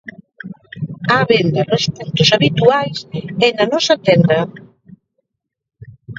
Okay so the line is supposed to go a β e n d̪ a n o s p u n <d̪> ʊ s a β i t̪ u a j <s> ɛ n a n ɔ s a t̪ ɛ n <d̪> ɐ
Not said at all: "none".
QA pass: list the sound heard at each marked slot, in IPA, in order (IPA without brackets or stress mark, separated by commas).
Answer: t̪, s, d̪